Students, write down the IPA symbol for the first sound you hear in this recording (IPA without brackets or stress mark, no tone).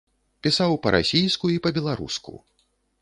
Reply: pʲ